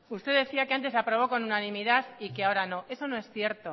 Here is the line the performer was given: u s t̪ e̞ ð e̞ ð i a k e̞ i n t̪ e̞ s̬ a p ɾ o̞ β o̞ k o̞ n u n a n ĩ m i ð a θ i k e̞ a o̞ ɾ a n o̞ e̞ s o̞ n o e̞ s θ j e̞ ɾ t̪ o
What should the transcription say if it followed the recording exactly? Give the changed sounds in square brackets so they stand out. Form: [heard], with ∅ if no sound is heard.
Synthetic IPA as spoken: u s t̪ e̞ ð e̞ [θ] i a k e̞ [a] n t̪ e̞ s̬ a p ɾ o̞ β o̞ k o̞ n u n a n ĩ m i ð a θ i k e̞ a o̞ ɾ a n o̞ e̞ s o̞ n o e̞ s θ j e̞ ɾ t̪ o